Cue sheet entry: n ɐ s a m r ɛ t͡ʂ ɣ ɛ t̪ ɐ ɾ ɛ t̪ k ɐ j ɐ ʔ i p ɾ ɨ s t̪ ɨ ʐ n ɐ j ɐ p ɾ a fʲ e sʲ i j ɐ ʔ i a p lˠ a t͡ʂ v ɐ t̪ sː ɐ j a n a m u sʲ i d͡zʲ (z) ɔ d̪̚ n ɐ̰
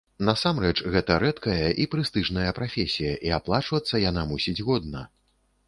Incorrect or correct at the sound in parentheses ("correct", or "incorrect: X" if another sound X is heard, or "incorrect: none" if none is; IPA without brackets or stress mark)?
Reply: incorrect: ɣ